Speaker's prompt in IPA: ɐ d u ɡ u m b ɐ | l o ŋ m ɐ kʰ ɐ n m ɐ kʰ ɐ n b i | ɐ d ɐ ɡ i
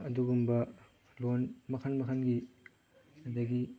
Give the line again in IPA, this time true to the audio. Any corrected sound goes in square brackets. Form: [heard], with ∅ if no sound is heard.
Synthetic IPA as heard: ɐ d u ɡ u m b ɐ | l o [n] m ɐ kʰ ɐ n m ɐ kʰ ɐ n [ɡ] i | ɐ d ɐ ɡ i